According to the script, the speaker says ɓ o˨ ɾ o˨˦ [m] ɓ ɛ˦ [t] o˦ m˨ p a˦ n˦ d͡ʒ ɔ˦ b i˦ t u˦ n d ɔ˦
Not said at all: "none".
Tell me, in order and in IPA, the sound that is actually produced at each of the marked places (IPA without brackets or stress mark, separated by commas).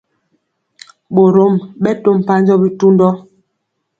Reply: m, t